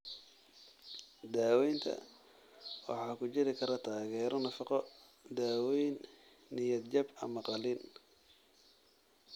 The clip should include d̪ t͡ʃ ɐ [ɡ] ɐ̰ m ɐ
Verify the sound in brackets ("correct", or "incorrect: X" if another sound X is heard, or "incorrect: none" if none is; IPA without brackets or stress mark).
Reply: incorrect: b